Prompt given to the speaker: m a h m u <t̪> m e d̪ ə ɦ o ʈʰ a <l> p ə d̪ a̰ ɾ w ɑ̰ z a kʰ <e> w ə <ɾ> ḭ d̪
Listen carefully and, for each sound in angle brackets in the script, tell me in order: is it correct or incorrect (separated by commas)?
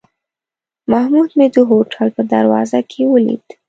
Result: incorrect, correct, correct, incorrect